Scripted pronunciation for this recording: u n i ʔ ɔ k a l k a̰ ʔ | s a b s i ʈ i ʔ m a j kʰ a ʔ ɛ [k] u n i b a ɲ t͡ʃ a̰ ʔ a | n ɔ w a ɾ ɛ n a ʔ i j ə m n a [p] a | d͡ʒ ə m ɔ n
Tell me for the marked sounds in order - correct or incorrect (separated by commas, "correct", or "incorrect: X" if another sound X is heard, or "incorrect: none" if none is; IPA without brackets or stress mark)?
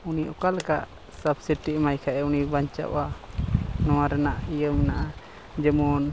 incorrect: none, incorrect: ʔ